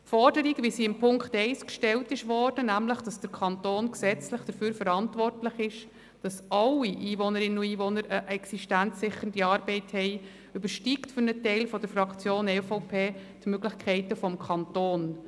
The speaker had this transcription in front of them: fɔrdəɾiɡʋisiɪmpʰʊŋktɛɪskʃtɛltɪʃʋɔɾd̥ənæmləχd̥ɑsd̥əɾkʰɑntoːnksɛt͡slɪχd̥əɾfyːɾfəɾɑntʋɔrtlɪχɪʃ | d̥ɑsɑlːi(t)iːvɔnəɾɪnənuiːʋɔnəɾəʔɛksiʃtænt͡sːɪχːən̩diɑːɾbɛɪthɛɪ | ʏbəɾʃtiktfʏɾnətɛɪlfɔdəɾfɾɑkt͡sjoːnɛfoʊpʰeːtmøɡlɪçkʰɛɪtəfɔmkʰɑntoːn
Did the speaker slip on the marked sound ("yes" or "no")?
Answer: yes